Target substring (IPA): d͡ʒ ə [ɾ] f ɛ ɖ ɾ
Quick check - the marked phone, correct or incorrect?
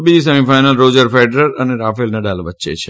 correct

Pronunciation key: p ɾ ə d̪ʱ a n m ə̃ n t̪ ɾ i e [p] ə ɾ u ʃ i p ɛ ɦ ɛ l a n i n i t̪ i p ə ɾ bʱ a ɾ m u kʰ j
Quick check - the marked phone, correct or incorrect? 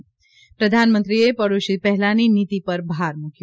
correct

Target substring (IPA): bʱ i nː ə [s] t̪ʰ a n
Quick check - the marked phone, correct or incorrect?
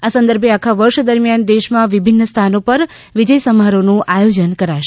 correct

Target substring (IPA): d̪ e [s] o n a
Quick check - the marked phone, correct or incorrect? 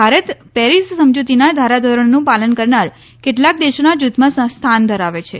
incorrect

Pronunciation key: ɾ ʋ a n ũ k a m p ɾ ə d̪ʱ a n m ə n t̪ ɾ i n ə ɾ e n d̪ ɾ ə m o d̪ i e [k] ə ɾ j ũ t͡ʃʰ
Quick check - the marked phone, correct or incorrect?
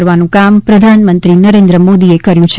correct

